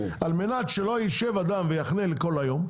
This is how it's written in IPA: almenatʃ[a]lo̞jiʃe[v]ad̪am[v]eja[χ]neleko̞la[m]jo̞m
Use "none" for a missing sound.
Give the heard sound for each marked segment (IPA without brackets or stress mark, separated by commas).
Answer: e, v, v, χ, none